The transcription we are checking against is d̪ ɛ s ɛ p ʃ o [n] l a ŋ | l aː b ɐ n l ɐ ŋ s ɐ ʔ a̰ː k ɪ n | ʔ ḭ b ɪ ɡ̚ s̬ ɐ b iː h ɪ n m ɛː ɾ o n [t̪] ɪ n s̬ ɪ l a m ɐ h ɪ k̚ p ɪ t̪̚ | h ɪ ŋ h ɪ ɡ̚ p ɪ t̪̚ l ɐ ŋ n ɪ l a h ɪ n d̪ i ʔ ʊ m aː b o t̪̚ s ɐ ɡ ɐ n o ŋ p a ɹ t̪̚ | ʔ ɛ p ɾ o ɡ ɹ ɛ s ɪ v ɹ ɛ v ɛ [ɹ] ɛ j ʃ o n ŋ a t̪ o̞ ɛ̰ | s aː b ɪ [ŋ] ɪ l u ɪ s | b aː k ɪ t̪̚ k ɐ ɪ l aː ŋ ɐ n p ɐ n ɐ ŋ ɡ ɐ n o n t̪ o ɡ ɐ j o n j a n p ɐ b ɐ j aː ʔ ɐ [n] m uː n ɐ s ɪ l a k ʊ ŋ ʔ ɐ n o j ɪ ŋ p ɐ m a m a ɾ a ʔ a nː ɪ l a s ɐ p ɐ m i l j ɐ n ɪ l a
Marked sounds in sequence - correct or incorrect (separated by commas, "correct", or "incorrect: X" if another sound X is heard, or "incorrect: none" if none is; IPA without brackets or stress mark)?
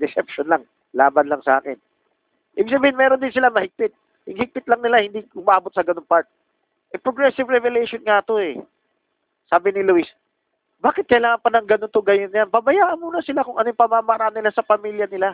correct, incorrect: d̪, incorrect: l, incorrect: n, correct